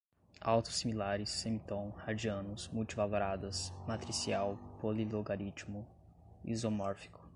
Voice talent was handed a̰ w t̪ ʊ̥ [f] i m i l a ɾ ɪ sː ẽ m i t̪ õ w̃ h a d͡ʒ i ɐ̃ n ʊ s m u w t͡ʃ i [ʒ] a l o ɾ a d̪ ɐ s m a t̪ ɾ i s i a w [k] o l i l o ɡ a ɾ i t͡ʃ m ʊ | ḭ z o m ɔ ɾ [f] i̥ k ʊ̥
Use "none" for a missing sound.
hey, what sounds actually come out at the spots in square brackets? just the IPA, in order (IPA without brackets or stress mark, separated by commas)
s, v, p, f